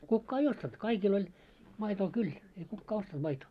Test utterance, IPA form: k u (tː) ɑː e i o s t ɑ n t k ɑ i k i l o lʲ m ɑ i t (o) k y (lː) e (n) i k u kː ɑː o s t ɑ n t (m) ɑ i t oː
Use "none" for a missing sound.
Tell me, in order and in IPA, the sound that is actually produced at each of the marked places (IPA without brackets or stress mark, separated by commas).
kː, oː, l, none, m